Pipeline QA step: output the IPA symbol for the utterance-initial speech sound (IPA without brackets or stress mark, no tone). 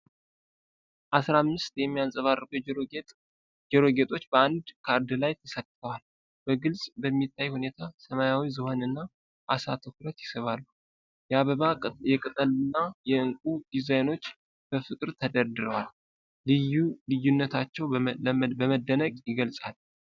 ʔ